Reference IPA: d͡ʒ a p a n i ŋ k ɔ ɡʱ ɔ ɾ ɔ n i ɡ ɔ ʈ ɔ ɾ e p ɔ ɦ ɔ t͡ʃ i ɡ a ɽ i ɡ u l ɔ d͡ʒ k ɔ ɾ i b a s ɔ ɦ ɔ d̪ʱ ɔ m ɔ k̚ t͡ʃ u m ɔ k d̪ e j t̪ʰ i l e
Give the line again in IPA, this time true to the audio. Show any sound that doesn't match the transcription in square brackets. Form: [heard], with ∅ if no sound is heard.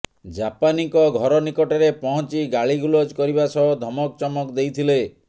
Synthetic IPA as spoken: d͡ʒ a p a n i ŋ k ɔ ɡʱ ɔ ɾ ɔ n i [k] ɔ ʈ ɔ ɾ e p ɔ ɦ ɔ t͡ʃ i ɡ a [ɭ] i ɡ u l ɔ d͡ʒ k ɔ ɾ i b a s ɔ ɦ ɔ d̪ʱ ɔ m ɔ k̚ t͡ʃ [ɔ] m ɔ k d̪ e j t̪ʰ i l e